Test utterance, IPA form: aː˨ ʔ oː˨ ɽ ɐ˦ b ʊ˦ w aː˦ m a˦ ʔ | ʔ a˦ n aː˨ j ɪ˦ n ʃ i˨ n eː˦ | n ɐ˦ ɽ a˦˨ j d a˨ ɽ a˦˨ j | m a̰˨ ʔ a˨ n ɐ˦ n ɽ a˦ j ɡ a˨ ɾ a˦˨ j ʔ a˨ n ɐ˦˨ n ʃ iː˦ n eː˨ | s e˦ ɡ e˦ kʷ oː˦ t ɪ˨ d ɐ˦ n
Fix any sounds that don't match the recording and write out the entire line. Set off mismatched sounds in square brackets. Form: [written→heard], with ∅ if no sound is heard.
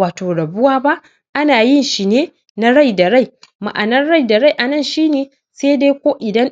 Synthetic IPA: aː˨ [ʔ→t] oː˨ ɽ [ɐ˦→ɐ˨] b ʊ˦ w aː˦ [m→b] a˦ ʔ | ʔ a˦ n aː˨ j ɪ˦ n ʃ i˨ n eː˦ | n [ɐ˦→a˦] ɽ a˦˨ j d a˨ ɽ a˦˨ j | m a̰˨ ʔ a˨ n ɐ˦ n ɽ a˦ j [ɡ→d] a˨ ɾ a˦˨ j ʔ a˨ n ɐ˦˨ n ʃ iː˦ n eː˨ | s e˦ [ɡ→d] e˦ kʷ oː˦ [t→ʔ] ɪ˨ d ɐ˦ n